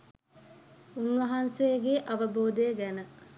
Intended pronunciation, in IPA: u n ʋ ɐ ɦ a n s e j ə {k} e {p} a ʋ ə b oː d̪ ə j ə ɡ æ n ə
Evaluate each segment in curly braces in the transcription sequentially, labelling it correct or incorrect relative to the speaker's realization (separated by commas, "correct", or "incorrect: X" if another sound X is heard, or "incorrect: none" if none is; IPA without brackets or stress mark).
incorrect: ɡ, incorrect: ʔ